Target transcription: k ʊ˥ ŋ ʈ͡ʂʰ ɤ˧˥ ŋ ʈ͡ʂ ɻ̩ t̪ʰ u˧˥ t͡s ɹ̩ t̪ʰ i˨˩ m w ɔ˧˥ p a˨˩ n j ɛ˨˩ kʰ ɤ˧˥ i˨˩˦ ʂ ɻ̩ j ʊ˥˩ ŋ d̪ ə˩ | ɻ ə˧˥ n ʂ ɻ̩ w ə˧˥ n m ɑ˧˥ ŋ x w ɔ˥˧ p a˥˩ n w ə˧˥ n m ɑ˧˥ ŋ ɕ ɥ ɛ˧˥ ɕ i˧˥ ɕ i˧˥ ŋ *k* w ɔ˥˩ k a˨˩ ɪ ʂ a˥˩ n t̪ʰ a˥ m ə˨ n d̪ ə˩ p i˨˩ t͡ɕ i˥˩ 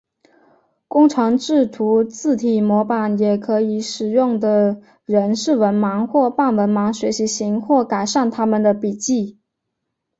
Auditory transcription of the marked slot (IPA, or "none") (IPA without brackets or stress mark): x